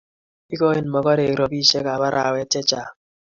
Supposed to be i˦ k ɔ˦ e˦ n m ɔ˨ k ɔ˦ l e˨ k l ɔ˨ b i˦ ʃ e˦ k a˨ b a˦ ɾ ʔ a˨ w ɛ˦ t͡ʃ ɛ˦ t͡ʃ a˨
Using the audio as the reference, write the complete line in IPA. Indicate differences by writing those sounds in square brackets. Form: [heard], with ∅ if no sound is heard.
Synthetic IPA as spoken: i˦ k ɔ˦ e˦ n m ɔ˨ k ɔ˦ [ɾ] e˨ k [ɾ] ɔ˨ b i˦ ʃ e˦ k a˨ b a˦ ɾ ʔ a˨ w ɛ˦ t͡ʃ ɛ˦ t͡ʃ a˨